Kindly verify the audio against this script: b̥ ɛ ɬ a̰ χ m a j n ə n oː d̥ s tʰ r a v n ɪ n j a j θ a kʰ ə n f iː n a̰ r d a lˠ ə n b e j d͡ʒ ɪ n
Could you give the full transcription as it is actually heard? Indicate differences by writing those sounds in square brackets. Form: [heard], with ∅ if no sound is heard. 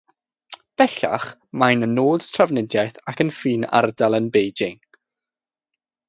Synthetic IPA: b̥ ɛ ɬ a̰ χ m a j n ə n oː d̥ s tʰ r a v n ɪ [d] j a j θ a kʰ ə n f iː n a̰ r d a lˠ ə n b e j d͡ʒ ɪ [ŋ]